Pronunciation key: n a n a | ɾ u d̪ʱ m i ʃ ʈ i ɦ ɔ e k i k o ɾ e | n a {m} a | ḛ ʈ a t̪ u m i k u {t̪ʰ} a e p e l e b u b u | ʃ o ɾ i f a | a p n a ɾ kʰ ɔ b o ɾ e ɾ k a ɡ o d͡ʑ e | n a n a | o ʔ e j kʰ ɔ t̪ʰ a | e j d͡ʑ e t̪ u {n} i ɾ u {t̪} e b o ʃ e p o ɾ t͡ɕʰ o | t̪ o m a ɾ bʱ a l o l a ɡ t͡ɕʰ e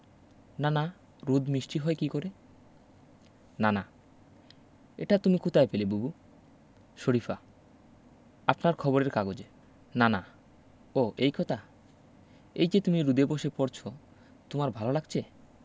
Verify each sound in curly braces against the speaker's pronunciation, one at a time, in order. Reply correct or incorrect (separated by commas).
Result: incorrect, incorrect, incorrect, incorrect